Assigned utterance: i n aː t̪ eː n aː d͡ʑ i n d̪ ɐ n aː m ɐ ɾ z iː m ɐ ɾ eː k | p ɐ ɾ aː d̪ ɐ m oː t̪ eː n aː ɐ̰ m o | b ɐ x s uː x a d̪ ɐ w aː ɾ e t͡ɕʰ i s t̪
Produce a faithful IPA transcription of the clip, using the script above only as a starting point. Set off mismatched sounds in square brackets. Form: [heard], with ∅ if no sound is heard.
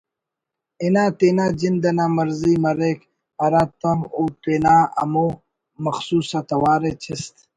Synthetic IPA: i n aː t̪ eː n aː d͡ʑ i n d̪ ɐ n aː m ɐ ɾ z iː m ɐ ɾ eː k | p ɐ ɾ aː [t̪] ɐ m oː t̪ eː n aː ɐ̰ m o | [m] ɐ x s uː [s] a [t̪] ɐ w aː ɾ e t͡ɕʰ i s t̪